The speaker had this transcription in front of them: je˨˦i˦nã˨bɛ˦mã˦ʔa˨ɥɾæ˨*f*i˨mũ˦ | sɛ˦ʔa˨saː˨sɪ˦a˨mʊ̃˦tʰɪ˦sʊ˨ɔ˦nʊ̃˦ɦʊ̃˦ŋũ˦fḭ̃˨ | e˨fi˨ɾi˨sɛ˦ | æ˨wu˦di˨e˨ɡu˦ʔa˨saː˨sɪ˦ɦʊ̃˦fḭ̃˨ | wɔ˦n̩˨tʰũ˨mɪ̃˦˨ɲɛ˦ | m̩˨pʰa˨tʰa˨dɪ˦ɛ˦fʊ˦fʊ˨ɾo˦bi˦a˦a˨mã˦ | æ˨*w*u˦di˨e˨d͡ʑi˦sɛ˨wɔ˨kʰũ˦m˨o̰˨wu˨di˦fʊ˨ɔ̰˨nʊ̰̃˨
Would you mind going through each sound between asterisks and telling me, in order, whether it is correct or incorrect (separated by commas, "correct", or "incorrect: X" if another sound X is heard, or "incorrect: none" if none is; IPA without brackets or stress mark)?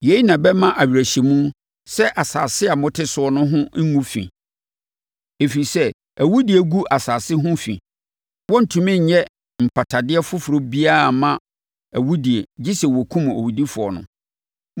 incorrect: ɕ, correct